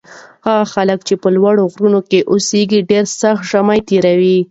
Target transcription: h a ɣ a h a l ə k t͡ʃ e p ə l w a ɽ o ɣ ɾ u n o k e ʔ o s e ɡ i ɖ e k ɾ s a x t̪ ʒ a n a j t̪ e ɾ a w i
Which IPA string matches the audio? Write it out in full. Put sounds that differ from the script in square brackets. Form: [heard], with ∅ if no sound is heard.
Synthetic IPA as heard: h a ɣ a [x] a l ə k t͡ʃ e p ə l w a ɽ o ɣ ɾ u n o k e ʔ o s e ɡ i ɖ e [∅] ɾ s a x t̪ ʒ a [m] a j t̪ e ɾ a w i